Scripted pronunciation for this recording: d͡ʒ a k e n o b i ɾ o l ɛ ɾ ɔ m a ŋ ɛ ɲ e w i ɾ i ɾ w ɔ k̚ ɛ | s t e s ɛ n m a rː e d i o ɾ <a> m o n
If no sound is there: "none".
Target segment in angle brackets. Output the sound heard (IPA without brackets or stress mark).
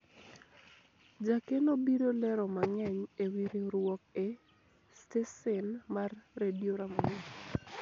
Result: a